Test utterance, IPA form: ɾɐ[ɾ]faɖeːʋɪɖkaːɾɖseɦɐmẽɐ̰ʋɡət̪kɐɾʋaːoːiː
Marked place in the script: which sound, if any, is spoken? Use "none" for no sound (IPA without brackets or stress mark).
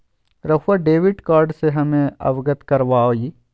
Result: none